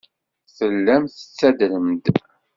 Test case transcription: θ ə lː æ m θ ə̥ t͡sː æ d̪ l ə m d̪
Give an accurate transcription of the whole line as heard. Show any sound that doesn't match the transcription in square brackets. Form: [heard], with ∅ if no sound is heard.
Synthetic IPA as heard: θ ə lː æ m θ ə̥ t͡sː æ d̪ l ə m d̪